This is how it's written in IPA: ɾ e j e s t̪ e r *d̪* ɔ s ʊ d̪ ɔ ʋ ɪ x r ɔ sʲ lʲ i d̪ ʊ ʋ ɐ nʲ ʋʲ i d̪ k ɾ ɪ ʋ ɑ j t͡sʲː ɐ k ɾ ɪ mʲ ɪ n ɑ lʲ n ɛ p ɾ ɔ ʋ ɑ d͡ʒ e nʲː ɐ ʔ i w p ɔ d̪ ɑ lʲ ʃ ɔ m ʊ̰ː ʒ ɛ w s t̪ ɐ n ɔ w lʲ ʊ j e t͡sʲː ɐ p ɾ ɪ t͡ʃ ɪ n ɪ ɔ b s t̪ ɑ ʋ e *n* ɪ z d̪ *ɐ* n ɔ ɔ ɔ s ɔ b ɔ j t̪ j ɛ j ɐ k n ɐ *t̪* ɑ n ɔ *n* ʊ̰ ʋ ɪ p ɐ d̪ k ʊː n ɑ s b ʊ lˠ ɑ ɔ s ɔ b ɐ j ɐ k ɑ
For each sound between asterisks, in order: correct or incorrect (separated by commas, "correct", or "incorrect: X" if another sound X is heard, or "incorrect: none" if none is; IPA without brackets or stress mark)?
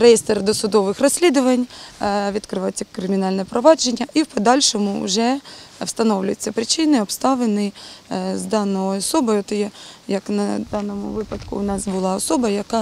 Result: correct, correct, incorrect: ɑ, incorrect: d̪, incorrect: m